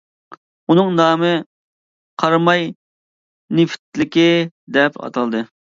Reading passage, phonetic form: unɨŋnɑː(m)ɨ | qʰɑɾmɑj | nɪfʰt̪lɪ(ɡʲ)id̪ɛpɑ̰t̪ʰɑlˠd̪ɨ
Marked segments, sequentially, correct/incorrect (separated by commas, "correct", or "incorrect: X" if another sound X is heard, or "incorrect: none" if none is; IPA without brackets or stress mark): correct, incorrect: kʲ